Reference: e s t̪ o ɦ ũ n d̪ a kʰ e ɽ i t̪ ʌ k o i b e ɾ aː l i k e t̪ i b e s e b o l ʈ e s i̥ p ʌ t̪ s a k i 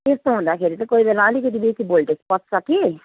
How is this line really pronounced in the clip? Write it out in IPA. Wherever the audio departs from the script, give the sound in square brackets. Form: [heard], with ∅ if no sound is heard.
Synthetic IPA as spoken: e s t̪ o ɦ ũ n d̪ a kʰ e [ɾ] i t̪ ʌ k o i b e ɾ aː l i k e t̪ i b e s [i] b o l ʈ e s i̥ p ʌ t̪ s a k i